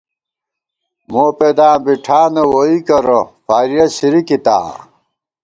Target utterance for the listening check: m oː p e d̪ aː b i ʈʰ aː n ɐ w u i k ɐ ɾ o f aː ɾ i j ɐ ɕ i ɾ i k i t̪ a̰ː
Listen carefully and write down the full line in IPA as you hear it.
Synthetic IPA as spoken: m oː p e d̪ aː b i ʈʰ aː n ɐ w o i k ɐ ɾ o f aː ɾ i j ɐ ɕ i ɾ i k i t̪ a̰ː